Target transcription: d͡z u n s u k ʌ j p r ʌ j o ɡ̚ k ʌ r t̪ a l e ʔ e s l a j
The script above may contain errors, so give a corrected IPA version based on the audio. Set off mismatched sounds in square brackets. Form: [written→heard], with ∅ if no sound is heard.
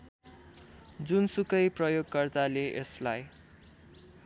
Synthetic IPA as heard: d͡z u n s u k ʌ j p r ʌ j o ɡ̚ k ʌ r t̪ a l e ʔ e s l a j